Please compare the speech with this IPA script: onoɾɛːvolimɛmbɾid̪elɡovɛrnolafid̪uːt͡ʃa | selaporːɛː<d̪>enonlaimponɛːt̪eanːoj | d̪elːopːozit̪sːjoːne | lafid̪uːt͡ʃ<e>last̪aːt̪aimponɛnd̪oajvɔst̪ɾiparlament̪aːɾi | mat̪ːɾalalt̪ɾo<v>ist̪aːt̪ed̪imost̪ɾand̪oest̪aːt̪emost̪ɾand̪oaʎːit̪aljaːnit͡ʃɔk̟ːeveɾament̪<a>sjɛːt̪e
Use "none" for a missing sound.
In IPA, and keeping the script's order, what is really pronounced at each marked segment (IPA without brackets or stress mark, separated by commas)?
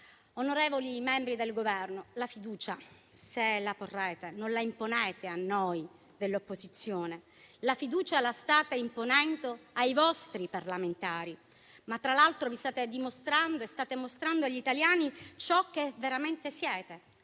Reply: t̪, a, v, e